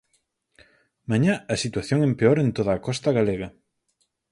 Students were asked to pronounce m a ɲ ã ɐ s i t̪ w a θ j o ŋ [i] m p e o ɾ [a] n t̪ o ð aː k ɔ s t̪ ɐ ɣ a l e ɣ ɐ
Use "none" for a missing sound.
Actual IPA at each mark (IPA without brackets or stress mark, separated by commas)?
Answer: e, e